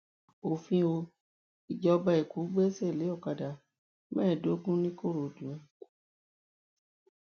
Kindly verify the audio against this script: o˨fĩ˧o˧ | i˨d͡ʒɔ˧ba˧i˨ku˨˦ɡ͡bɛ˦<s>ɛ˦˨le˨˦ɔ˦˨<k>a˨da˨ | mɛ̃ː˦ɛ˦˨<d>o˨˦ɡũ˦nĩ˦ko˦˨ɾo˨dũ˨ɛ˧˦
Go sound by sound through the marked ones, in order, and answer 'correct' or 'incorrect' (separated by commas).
correct, correct, correct